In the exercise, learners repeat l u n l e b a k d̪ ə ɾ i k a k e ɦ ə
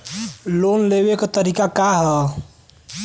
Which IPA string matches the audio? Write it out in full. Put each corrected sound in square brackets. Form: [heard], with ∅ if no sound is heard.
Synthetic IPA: l [o] n l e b [e] k [t̪] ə ɾ i k a k [a] ɦ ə